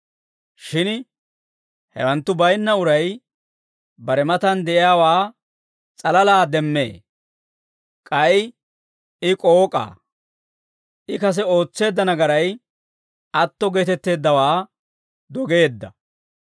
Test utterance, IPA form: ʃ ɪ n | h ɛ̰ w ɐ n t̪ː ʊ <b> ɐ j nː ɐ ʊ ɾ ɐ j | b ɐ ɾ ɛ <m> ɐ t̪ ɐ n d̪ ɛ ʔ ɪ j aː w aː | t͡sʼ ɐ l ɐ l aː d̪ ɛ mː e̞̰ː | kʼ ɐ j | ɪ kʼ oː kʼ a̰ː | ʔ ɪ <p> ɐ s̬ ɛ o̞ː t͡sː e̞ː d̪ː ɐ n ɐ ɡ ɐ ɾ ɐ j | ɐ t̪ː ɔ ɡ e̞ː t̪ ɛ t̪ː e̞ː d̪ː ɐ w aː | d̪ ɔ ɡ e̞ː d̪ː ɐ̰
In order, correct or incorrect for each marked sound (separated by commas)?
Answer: correct, correct, incorrect